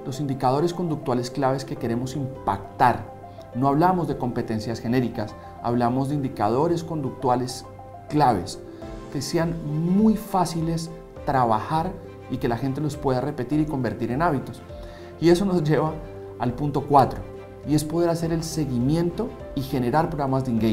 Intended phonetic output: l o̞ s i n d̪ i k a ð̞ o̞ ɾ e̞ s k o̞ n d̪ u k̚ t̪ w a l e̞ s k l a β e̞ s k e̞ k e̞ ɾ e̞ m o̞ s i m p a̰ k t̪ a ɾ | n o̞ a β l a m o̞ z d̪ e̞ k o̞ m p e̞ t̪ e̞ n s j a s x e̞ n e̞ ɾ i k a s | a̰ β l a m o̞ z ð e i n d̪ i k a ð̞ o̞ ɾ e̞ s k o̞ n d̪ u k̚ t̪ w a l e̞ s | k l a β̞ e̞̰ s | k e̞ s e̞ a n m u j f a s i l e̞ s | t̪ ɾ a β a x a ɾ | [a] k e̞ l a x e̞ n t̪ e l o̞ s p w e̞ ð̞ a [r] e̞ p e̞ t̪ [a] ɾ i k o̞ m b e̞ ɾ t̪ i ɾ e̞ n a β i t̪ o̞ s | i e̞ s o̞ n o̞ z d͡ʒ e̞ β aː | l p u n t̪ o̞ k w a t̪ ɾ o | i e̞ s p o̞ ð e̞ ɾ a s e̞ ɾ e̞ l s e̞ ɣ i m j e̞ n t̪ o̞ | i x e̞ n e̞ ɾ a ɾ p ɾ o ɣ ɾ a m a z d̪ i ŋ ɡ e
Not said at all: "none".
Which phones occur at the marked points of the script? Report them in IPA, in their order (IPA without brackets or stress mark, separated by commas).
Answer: i, r, i